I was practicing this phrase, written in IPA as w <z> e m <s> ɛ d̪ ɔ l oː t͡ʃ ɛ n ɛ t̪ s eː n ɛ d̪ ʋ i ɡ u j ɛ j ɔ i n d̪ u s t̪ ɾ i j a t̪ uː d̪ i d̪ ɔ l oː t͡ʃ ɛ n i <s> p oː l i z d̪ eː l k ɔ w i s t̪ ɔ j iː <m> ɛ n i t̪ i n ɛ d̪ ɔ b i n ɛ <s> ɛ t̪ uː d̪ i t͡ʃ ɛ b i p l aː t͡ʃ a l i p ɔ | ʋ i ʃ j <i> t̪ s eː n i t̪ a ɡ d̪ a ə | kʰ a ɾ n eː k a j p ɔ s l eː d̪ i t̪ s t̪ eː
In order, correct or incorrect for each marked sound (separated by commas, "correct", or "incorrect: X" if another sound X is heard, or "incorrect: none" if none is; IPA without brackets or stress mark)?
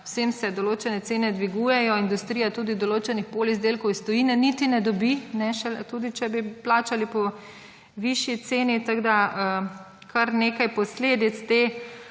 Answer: incorrect: s, correct, incorrect: x, incorrect: n, incorrect: ʃ, correct